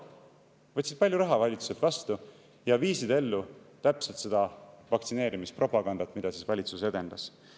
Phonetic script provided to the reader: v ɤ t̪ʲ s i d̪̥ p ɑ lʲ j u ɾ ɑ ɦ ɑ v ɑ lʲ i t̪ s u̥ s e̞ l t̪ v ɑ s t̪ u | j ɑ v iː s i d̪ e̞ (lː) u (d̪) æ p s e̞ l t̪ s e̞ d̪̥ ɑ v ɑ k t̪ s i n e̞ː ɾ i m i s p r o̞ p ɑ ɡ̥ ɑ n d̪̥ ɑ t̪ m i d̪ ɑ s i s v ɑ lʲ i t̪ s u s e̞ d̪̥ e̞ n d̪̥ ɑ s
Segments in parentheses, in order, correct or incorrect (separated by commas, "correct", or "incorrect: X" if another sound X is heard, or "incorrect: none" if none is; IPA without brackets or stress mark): correct, incorrect: t̪